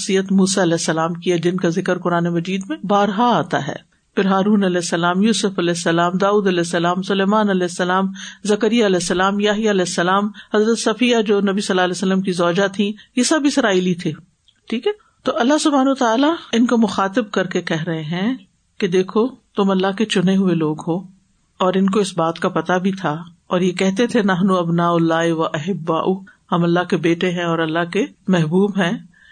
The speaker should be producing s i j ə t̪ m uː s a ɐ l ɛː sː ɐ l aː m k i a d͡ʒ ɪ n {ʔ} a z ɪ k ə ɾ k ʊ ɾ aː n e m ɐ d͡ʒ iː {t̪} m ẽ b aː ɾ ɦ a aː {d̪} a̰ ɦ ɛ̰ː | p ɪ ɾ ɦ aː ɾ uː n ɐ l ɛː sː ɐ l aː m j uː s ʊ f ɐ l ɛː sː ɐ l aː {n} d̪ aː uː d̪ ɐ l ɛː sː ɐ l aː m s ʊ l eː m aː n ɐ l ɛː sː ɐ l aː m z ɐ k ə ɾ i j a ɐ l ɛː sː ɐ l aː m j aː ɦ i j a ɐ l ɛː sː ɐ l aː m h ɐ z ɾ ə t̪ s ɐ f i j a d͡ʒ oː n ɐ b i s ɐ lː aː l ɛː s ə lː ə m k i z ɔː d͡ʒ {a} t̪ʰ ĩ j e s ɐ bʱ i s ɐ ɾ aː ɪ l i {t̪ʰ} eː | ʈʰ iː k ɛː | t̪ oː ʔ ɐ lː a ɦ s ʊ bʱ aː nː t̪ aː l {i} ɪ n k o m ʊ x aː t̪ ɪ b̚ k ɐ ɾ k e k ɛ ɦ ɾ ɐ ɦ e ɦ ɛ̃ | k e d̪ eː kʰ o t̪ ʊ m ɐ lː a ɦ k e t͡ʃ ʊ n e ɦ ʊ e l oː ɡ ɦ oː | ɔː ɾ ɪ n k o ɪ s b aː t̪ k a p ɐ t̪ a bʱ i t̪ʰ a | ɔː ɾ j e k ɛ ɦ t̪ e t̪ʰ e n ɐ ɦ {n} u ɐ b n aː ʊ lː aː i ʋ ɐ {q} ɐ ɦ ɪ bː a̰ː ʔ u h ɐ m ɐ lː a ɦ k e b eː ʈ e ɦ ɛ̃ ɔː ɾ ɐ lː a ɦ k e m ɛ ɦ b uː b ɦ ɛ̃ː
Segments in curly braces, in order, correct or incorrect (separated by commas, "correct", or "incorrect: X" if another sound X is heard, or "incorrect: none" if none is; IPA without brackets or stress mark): incorrect: k, incorrect: d̪, incorrect: t̪, incorrect: m, correct, correct, incorrect: a, correct, incorrect: ʔ